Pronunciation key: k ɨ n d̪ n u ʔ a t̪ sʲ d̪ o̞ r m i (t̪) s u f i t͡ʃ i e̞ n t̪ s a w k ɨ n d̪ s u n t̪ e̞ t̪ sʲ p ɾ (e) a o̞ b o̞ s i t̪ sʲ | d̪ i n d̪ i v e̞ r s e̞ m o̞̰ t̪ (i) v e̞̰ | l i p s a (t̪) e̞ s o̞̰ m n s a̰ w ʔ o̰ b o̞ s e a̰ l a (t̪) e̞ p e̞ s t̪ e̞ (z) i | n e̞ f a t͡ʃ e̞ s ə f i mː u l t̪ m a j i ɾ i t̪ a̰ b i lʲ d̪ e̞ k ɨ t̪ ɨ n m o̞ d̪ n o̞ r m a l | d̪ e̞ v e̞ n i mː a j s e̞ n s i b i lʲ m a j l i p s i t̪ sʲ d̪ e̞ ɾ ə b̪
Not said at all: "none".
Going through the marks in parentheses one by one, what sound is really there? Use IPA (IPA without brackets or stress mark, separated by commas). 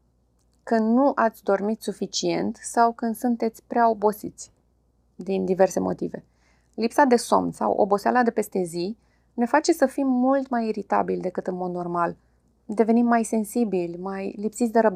t̪, e, i, d̪, d̪, z